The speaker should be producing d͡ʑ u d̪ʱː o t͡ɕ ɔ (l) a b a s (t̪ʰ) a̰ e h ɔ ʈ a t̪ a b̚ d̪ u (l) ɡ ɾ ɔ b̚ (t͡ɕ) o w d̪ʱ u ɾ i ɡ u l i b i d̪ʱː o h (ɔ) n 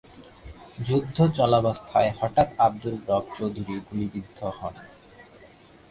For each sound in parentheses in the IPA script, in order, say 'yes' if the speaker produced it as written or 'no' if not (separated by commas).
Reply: yes, yes, yes, yes, yes